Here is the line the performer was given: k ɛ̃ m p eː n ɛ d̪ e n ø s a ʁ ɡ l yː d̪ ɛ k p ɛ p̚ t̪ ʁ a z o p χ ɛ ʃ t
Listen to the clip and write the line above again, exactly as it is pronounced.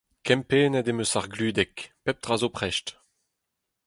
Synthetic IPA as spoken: k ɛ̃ m p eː n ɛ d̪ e m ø s a ʁ ɡ l yː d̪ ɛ k p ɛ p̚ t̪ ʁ a z o p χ ɛ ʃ t

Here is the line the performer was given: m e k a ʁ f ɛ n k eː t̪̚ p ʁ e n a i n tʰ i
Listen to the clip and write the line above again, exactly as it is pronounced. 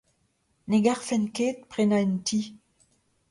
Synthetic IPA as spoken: n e ɡ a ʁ f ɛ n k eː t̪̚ p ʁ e n a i n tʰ i

